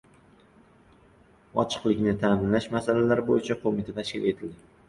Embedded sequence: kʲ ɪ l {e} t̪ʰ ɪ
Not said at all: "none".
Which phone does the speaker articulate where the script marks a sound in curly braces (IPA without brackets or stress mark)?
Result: e